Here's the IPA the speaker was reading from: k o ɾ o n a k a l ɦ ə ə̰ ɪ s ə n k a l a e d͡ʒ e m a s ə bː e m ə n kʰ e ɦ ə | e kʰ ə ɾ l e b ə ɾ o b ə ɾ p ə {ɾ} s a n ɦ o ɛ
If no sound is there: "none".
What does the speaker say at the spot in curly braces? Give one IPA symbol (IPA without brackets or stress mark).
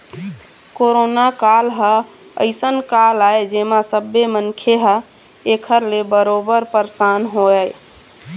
ɾ